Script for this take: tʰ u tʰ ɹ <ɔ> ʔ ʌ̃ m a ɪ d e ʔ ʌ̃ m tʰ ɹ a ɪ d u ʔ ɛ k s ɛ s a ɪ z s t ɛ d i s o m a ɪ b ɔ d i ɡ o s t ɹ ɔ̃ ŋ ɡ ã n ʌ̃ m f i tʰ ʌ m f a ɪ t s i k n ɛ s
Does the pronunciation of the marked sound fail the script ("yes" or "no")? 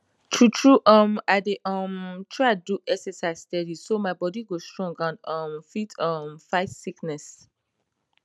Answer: yes